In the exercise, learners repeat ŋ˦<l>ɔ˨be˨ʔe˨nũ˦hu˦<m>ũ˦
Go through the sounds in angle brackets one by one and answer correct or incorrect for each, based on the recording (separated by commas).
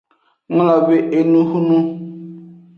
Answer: correct, incorrect